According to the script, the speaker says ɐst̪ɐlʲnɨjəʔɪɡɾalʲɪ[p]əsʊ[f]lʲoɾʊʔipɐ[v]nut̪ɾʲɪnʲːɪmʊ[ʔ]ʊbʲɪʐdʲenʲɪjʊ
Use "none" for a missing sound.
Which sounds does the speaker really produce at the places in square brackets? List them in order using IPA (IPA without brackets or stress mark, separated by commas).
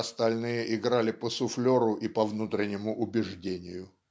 p, f, v, ʔ